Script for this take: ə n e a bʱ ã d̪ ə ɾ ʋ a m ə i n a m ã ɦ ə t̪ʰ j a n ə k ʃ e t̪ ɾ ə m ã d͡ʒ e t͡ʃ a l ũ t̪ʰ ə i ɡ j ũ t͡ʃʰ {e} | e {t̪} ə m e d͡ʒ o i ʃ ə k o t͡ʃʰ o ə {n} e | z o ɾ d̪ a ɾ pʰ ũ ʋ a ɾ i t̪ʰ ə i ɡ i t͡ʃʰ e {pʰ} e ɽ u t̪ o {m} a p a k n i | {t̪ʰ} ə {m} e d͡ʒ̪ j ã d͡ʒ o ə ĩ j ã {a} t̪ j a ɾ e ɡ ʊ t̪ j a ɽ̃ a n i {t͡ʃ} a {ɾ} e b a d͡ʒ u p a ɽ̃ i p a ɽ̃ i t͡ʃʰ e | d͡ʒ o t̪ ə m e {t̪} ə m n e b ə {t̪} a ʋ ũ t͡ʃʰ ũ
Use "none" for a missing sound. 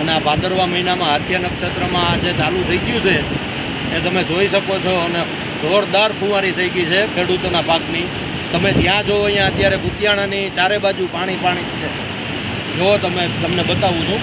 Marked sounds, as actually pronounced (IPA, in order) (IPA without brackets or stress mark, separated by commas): e, t̪, n, kʰ, n, t̪, m, ə, t͡ʃ, ɾ, t̪, t̪